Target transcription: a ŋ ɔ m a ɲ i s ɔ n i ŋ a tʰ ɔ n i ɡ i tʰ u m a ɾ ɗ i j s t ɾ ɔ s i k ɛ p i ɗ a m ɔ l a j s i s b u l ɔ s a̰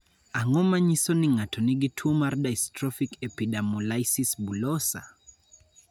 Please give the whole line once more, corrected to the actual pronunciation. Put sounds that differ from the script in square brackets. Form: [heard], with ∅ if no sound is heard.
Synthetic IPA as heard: a ŋ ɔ m a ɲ i s ɔ n i ŋ a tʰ ɔ n i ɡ i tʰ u m a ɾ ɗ [a] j s t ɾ ɔ [f] i k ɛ p i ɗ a m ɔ l a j s i s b u l ɔ s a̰